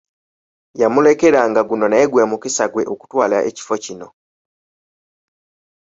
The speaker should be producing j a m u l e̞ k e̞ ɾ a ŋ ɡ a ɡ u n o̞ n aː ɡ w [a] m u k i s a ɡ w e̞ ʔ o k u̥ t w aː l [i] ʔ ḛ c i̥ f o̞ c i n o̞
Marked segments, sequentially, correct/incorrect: incorrect, incorrect

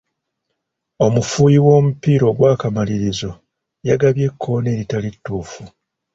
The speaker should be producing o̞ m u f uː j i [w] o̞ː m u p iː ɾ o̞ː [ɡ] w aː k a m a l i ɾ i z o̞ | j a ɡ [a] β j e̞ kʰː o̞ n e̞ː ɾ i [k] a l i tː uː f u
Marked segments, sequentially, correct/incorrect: correct, correct, correct, incorrect

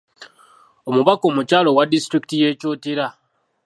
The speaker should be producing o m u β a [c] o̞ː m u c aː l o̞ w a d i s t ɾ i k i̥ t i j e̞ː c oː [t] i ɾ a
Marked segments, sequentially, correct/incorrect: incorrect, correct

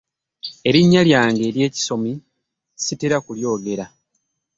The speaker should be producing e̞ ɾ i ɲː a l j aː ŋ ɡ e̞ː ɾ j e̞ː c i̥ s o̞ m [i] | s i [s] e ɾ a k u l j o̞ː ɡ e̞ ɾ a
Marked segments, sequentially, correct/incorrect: correct, incorrect

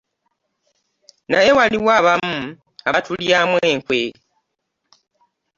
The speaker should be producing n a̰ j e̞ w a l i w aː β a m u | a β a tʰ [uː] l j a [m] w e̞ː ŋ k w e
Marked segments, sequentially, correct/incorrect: incorrect, correct

